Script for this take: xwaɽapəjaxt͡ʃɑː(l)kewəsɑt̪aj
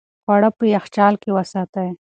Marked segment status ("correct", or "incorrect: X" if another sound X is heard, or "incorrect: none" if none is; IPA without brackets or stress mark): correct